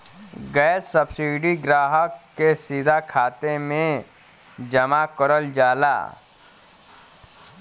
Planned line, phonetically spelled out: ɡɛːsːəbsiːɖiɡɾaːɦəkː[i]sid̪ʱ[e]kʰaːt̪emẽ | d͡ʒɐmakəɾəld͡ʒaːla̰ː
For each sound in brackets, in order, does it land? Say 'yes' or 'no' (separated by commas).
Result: no, no